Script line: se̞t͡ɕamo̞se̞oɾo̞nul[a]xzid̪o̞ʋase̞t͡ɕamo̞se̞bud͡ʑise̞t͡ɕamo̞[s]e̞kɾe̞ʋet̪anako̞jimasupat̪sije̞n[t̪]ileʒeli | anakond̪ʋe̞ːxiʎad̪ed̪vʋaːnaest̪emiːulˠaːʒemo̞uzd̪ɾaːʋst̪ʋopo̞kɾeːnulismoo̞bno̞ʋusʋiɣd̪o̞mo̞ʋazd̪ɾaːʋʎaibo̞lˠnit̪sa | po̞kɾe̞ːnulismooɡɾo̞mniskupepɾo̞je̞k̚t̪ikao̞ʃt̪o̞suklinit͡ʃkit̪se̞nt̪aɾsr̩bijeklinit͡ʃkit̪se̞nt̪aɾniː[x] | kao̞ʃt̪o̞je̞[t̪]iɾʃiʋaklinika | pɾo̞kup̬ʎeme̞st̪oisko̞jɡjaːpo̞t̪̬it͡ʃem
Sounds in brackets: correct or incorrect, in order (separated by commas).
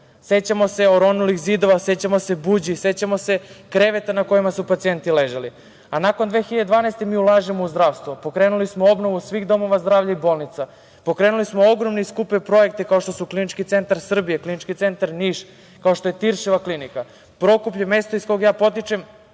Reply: incorrect, correct, correct, incorrect, correct